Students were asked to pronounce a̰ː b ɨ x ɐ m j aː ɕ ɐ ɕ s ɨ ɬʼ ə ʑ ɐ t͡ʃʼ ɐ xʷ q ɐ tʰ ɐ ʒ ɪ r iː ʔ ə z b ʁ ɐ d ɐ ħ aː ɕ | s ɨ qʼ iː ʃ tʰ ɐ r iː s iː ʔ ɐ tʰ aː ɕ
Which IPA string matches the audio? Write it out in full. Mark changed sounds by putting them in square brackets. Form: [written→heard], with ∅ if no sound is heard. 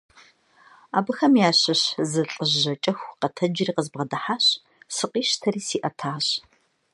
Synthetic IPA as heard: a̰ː b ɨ x ɐ m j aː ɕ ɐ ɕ [s→z] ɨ ɬʼ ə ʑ ɐ t͡ʃʼ ɐ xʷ q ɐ tʰ ɐ [ʒ→d͡ʒ] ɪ r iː [ʔ→q] ə z b ʁ ɐ d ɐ ħ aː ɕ | s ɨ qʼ iː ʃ tʰ ɐ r iː s iː ʔ ɐ tʰ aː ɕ